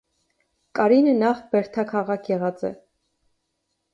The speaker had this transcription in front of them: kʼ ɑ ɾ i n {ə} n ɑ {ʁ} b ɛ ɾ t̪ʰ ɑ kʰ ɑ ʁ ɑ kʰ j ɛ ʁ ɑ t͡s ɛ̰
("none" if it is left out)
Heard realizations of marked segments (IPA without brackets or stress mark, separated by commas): ə, χ